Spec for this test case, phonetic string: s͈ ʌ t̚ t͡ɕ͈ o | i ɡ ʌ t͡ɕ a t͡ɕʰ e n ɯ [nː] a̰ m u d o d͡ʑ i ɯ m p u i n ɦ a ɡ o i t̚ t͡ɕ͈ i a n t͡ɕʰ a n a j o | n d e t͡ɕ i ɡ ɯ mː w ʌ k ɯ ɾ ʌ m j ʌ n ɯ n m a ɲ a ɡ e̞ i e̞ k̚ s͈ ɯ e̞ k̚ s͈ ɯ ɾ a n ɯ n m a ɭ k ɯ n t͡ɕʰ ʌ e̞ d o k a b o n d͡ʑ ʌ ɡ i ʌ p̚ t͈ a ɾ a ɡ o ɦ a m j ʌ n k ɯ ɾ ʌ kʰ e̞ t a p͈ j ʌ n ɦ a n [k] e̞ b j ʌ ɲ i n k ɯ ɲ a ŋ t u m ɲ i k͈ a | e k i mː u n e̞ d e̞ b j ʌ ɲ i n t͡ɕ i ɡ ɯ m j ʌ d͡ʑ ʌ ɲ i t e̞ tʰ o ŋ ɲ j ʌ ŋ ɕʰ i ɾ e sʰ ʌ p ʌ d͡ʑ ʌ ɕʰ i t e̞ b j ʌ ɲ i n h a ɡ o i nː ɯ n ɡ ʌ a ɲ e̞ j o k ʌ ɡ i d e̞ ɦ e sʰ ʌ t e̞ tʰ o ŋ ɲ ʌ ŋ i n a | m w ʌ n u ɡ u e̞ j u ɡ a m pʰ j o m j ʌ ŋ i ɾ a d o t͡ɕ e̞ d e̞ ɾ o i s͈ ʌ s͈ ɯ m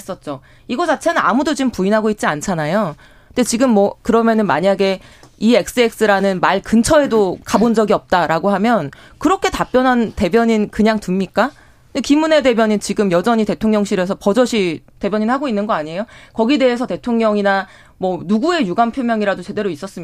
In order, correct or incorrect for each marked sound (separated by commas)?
incorrect, incorrect